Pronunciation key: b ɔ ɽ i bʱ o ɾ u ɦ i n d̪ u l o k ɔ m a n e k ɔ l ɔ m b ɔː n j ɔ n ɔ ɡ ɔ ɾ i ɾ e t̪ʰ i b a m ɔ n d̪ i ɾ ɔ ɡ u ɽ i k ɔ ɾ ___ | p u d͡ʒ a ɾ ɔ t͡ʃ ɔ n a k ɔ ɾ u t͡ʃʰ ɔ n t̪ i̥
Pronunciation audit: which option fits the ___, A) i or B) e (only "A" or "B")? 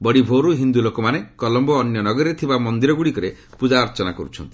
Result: B